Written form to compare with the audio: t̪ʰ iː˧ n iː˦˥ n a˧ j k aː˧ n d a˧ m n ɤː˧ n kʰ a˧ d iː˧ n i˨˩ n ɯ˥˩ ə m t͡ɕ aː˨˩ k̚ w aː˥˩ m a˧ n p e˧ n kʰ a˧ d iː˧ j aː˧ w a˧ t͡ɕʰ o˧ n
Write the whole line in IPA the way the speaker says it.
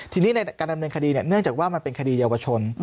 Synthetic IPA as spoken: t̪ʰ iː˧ n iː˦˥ n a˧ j k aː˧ n d a˧ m n ɤː˧ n kʰ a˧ d iː˧ n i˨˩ n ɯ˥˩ ə ŋ t͡ɕ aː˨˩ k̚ w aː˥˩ m a˧ n p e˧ n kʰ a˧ d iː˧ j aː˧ w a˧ t͡ɕʰ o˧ n